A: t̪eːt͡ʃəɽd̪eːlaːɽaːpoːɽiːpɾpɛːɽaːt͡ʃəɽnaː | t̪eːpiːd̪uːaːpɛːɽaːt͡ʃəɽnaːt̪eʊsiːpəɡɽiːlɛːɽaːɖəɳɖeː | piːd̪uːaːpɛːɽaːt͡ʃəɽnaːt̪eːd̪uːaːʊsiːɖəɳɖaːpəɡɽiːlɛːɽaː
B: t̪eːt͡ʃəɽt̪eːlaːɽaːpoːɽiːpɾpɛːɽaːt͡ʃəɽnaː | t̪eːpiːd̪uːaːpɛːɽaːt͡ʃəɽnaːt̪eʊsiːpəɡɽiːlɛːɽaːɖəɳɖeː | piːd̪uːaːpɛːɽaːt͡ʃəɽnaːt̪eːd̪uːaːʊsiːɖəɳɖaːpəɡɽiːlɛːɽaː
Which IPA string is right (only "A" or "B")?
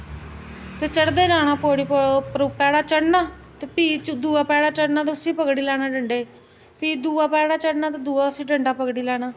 A